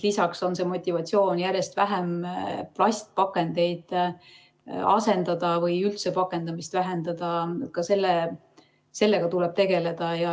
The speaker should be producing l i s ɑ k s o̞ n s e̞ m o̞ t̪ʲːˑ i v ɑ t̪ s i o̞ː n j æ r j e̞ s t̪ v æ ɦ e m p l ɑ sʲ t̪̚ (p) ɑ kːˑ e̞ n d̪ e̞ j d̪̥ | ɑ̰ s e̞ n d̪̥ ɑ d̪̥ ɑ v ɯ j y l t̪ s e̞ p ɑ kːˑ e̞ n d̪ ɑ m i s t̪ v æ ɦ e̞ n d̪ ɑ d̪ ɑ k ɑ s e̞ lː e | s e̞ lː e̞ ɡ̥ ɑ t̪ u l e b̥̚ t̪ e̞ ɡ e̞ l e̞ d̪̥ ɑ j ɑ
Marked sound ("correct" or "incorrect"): correct